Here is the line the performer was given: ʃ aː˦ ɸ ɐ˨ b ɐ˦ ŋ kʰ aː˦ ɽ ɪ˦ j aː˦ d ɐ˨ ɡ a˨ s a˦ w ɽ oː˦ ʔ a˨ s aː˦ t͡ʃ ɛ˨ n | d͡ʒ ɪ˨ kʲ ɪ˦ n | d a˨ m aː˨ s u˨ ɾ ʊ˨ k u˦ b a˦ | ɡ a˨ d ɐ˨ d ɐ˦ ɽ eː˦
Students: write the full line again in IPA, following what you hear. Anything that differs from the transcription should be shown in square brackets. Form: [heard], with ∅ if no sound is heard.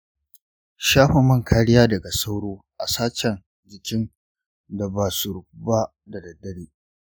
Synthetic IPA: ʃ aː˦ ɸ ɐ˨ [m] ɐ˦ ŋ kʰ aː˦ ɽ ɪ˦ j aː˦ d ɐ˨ ɡ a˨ s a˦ w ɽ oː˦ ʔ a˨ s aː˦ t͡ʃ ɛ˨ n | d͡ʒ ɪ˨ kʲ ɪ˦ n | d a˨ [b] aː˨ s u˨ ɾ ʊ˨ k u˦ b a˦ | [d] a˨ d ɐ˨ d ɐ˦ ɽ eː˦